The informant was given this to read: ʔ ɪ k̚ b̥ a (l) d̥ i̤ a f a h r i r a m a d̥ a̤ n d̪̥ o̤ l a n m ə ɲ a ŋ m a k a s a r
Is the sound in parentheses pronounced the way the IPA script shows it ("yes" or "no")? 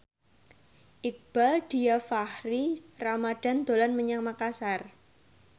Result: yes